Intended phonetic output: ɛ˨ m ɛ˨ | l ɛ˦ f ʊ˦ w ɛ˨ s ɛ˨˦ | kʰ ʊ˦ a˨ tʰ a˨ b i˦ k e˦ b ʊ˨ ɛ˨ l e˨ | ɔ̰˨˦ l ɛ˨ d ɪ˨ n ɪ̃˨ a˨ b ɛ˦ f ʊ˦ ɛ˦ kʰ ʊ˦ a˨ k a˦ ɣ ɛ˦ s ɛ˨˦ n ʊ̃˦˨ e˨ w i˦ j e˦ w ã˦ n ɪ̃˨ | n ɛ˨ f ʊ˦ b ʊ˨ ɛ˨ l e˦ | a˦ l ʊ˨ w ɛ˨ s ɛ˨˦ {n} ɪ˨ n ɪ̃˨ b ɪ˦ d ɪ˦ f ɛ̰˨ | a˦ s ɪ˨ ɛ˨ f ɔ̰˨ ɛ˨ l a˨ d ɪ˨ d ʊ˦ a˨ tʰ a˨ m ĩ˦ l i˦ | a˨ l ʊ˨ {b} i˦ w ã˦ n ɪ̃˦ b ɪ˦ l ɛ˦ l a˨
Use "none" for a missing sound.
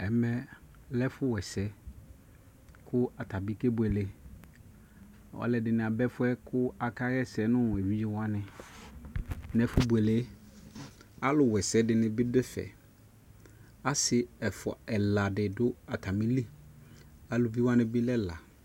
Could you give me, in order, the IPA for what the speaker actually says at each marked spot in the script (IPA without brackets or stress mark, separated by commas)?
d, v